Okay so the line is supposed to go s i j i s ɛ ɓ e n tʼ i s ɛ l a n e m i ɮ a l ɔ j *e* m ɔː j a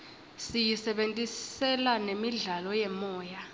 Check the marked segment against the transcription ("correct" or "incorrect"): incorrect